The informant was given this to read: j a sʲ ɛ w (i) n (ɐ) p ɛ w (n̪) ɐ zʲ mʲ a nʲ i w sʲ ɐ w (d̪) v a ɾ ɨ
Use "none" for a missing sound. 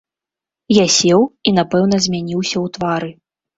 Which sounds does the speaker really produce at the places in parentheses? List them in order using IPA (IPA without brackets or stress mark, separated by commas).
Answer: i, a, n̪, t̪